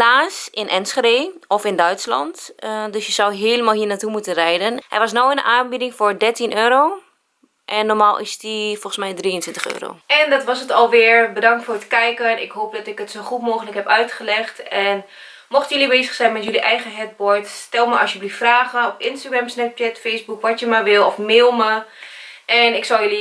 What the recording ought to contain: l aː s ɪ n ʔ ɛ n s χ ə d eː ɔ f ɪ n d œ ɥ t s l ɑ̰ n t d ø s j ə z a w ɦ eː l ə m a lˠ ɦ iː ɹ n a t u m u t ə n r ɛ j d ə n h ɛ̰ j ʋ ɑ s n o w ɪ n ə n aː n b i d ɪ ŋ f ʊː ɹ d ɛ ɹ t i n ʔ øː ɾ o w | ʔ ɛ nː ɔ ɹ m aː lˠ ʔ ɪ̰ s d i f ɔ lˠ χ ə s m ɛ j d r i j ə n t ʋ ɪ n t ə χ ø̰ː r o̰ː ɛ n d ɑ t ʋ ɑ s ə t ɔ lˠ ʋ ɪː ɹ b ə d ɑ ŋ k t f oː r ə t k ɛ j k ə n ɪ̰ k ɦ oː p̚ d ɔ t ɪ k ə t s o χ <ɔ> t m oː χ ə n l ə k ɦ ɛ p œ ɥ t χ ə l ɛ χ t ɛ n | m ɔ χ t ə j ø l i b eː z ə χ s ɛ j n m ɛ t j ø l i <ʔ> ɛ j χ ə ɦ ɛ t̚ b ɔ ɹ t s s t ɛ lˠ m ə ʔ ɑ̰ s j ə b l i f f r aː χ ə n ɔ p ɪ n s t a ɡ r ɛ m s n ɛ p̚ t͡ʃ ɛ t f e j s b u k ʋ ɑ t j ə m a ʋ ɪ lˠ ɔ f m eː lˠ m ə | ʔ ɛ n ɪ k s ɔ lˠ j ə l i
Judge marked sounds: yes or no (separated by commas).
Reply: no, yes